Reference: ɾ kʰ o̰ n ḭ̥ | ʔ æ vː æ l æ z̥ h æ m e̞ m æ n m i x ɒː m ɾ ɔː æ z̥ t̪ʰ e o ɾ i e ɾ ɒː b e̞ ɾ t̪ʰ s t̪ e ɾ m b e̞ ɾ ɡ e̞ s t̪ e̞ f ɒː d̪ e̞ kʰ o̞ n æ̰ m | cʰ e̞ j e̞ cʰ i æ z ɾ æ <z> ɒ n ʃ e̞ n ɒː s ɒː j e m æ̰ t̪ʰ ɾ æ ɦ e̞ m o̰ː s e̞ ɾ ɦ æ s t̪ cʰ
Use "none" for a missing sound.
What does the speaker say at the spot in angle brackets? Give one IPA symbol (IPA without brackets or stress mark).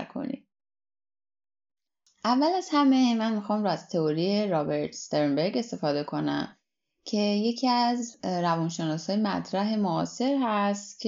v